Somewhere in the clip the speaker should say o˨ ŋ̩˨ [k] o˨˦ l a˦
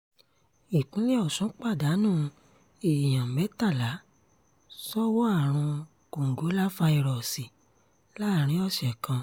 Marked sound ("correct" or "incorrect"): incorrect